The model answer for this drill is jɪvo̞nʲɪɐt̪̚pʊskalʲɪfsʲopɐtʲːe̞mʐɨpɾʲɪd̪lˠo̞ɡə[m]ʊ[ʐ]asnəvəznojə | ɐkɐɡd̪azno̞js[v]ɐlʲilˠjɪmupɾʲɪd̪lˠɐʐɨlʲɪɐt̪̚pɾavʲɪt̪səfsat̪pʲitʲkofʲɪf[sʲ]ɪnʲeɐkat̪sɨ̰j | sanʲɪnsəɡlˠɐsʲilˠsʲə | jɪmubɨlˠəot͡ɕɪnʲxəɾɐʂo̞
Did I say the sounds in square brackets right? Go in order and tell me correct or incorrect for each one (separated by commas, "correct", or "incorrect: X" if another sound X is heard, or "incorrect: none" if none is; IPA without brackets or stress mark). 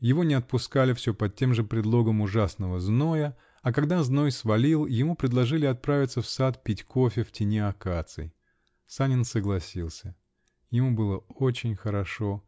correct, correct, correct, incorrect: tʲ